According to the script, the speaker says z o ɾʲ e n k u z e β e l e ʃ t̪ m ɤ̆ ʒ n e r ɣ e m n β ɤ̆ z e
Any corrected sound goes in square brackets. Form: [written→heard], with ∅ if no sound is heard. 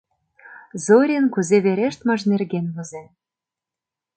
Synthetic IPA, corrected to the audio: z o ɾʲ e n k u z e β e [l→ɾ] e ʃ t̪ m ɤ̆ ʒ n e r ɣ e [m→∅] n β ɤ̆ z e